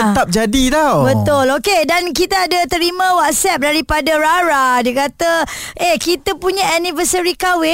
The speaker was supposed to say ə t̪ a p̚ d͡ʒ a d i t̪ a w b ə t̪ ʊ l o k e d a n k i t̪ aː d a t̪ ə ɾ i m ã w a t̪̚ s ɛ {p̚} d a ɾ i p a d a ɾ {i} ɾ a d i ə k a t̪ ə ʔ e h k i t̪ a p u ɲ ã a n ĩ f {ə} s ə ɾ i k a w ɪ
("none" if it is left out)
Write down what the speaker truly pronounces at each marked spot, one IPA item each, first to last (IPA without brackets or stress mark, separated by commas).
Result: p̚, a, ə